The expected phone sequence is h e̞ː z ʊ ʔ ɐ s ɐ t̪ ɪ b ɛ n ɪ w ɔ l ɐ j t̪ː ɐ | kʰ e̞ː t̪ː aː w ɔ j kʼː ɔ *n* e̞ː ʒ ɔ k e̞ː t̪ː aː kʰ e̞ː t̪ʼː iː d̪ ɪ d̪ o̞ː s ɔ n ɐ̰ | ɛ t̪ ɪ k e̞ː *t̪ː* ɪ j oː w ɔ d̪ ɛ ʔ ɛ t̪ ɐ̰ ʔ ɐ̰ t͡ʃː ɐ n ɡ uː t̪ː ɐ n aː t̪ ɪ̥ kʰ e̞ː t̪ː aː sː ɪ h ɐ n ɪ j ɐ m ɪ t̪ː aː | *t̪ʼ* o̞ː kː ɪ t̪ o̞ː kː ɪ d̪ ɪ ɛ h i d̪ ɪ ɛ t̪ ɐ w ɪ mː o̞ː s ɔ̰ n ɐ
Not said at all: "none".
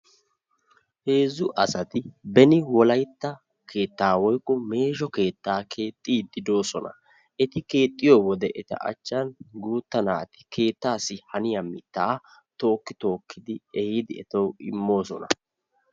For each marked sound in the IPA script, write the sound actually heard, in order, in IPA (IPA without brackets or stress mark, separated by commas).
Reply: m, t̪ʼː, t̪